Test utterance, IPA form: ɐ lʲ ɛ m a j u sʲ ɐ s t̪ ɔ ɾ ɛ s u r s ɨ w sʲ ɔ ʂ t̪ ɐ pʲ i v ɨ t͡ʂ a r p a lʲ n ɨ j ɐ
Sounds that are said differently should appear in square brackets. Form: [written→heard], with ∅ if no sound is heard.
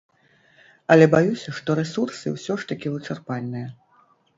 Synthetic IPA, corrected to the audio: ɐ lʲ ɛ [m→b] a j u sʲ ɐ [s→ʂ] t̪ ɔ ɾ ɛ s u r s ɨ w sʲ ɔ ʂ t̪ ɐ [pʲ→kʲ] i v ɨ t͡ʂ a r p a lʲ n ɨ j ɐ